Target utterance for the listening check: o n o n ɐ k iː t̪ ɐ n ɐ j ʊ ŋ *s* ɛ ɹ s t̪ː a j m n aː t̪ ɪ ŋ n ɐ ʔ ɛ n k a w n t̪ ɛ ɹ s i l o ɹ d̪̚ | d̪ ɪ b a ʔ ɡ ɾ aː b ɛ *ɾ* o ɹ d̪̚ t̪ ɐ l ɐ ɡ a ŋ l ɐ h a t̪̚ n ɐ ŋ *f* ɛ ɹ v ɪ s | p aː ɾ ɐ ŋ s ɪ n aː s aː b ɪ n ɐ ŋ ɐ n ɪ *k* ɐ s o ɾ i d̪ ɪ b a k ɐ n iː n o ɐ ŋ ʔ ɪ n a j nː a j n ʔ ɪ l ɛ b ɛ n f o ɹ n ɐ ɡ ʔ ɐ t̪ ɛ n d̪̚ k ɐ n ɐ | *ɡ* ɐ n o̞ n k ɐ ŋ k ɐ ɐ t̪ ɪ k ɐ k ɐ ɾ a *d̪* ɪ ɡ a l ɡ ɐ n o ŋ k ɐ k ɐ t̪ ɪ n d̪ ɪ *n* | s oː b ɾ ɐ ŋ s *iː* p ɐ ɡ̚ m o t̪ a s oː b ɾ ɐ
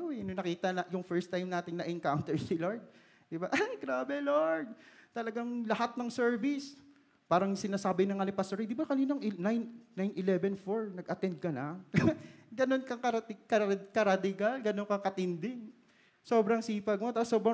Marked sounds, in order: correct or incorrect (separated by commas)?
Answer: incorrect, incorrect, incorrect, incorrect, correct, correct, incorrect, correct